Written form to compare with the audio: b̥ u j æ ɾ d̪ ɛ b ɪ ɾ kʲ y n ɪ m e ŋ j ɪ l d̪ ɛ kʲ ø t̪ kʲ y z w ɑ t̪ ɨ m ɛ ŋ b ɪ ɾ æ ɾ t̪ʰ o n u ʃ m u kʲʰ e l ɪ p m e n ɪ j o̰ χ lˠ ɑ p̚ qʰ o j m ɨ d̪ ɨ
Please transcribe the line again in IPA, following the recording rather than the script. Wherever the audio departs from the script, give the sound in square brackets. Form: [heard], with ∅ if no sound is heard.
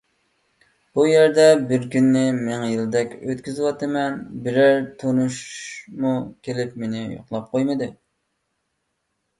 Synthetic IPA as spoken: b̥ u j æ ɾ d̪ ɛ b ɪ ɾ kʲ y [nː] ɪ m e ŋ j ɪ l d̪ ɛ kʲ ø t̪ kʲ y z w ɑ t̪ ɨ m ɛ [n] b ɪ ɾ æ ɾ t̪ʰ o n u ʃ m u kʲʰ e l ɪ p m e n ɪ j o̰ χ lˠ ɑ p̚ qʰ o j m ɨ d̪ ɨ

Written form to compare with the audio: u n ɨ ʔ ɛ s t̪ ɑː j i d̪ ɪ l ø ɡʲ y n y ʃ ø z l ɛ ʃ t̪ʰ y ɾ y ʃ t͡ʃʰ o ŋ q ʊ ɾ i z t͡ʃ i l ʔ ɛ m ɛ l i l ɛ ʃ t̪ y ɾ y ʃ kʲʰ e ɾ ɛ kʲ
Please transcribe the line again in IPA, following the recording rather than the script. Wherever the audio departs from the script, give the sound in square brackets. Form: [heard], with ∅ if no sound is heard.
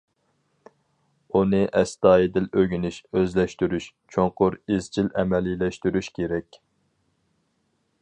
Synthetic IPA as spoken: u n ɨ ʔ ɛ s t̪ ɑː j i d̪ ɪ l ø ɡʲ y n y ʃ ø z l ɛ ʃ [t̪] y ɾ y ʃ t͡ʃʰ o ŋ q ʊ ɾ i z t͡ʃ i l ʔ ɛ m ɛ l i l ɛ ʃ t̪ y ɾ y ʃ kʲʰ e ɾ ɛ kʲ

